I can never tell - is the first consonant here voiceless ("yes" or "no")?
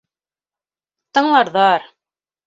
yes